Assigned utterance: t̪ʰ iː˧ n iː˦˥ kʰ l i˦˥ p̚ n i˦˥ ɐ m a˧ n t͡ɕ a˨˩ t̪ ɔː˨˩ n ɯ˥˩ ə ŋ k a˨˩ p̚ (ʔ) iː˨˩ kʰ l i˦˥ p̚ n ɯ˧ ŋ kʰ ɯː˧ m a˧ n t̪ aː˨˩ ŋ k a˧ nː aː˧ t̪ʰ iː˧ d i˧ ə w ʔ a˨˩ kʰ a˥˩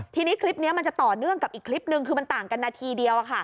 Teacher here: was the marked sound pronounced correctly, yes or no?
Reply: yes